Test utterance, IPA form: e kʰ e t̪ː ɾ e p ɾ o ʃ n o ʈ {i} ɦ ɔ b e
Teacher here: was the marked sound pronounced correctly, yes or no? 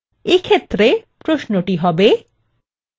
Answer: yes